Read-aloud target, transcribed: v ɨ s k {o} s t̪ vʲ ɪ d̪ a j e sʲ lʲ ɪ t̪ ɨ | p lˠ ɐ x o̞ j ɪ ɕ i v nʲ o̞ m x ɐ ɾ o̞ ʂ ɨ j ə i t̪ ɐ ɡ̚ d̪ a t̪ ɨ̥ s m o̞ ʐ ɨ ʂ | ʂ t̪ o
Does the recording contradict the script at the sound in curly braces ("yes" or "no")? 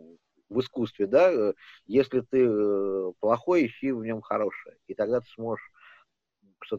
yes